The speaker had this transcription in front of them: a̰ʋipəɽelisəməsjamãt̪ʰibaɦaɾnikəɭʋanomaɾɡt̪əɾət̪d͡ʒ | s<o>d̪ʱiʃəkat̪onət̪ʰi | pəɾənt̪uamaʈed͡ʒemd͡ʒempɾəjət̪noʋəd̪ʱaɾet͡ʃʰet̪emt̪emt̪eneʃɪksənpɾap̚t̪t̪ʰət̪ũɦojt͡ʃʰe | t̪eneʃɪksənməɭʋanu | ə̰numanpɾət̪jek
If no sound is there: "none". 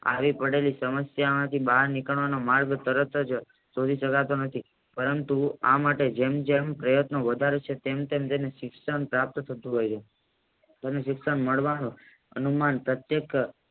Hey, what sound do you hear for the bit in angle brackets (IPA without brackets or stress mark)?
o